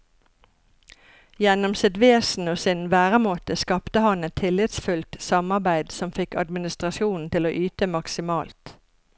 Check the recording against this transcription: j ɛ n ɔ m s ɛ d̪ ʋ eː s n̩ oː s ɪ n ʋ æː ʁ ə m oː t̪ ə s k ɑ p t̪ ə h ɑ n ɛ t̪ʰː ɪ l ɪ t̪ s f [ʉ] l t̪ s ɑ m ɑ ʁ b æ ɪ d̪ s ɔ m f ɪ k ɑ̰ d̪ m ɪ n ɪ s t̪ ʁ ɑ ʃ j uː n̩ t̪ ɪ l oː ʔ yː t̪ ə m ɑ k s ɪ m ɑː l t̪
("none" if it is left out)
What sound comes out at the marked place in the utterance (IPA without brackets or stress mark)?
ʉ